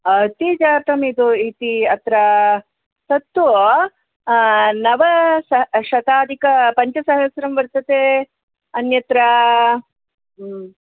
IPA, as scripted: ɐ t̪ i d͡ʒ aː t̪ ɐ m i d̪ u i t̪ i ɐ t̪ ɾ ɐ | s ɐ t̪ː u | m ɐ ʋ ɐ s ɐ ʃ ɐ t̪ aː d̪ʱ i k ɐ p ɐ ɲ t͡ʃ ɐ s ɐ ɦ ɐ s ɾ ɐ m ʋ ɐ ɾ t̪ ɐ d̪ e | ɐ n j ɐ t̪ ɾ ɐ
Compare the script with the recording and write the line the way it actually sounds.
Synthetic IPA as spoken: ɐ t̪ i d͡ʒ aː t̪ ɐ m i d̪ u i t̪ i ɐ t̪ ɾ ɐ | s ɐ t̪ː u | n ɐ ʋ ɐ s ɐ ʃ ɐ t̪ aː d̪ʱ i k ɐ p ɐ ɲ t͡ʃ ɐ s ɐ ɦ ɐ s ɾ ɐ m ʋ ɐ ɾ t̪ ɐ t̪ e | ɐ n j ɐ t̪ ɾ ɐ

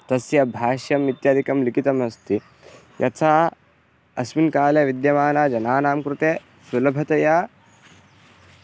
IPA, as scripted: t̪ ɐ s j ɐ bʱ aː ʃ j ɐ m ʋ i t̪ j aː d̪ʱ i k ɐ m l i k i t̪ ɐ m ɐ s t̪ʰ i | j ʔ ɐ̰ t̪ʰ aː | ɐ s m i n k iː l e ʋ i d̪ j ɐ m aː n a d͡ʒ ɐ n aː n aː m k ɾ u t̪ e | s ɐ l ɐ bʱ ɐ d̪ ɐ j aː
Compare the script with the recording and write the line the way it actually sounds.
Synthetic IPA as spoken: t̪ ɐ s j ɐ bʱ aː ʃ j ɐ m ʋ i t̪ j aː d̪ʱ i k ɐ m l i k i t̪ ɐ m ɐ s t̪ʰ i | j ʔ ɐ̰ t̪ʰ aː | ɐ s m i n k aː l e ʋ i d̪ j ɐ m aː n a d͡ʒ ɐ n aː n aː m k ɾ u t̪ e | s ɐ l ɐ bʱ ɐ t̪ ɐ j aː

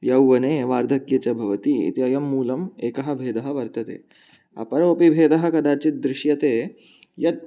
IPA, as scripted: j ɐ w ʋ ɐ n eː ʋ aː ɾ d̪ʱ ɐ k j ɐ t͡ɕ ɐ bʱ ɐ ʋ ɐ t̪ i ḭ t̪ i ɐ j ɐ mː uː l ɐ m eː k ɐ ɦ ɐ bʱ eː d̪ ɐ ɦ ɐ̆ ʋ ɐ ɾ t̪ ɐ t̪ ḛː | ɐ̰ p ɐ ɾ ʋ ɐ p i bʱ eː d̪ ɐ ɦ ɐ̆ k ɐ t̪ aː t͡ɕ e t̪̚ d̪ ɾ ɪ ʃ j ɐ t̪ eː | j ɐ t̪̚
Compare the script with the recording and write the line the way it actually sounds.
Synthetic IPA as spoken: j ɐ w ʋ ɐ n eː ʋ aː ɾ d̪ʱ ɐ k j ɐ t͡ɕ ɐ bʱ ɐ ʋ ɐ t̪ i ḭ t̪ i ɐ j ɐ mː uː l ɐ m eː k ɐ ɦ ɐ bʱ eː d̪ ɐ ɦ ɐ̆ ʋ ɐ ɾ t̪ ɐ t̪ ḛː | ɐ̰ p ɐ ɾ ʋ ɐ p i bʱ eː d̪ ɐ ɦ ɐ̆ k ɐ d̪ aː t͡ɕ i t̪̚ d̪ ɾ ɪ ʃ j ɐ t̪ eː | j ɐ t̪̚

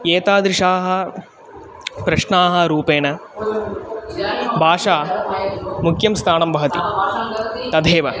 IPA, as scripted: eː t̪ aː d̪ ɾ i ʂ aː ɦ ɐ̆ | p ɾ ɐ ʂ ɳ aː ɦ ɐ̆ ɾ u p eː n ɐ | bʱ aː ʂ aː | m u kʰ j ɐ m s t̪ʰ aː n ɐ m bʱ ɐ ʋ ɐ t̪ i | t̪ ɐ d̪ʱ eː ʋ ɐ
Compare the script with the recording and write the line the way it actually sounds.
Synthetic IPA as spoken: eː t̪ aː d̪ ɾ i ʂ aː ɦ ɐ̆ | p ɾ ɐ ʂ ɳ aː ɦ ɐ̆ ɾ uː p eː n ɐ | bʱ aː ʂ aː | m u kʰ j ɐ m s t̪ʰ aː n ɐ m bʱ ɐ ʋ ɐ t̪ i | t̪ ɐ d̪ʱ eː ʋ ɐ

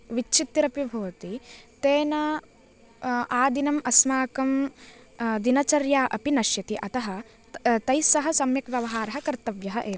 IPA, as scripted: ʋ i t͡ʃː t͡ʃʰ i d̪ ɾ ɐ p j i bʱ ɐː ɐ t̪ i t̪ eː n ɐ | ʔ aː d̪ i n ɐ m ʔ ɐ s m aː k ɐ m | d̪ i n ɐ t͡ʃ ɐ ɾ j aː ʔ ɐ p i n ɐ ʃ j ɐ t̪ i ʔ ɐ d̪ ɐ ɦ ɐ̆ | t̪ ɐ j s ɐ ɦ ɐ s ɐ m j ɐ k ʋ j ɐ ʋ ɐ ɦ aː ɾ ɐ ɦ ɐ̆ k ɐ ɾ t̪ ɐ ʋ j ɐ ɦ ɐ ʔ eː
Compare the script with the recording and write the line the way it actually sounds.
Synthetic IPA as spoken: ʋ i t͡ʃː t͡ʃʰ i t̪ ɾ ɐ p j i bʱ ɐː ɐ t̪ i t̪ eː n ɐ | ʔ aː d̪ i n ɐ m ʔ ɐ s m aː k ɐ m | d̪ i n ɐ t͡ʃ ɐ ɾ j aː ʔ ɐ p i n ɐ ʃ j ɐ t̪ i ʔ ɐ t̪ ɐ ɦ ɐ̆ | t̪ ɐ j s ɐ ɦ ɐ s ɐ m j ɐ k ʋ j ɐ ʋ ɐ ɦ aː ɾ ɐ ɦ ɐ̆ k ɐ ɾ t̪ ɐ ʋ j ɐ ɦ ɐ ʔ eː

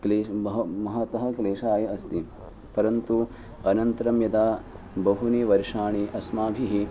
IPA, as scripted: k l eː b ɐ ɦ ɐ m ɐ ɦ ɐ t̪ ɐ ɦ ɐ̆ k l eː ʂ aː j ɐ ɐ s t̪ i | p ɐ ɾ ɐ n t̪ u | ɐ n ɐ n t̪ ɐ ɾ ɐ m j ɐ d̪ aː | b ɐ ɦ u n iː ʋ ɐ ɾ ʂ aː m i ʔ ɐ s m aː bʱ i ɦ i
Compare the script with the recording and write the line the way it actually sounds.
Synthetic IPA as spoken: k l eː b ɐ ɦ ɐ m ɐ ɦ ɐ t̪ ɐ ɦ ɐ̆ k l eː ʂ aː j ɐ ɐ s t̪ i | p ɐ ɾ ɐ n t̪ u | ɐ n ɐ n t̪ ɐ ɾ ɐ m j ɐ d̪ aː | b ɐ ɦ u n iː ʋ ɐ ɾ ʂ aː ɳ i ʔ ɐ s m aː bʱ i ɦ i

